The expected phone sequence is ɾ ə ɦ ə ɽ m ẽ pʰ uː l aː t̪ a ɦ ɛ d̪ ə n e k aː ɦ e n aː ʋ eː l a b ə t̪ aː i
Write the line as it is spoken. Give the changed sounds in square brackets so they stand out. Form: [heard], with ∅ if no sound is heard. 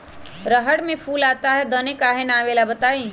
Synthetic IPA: ɾ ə ɦ ə ɽ m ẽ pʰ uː l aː t̪ a ɦ ɛ d̪ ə n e k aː ɦ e n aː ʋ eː l a b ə t̪ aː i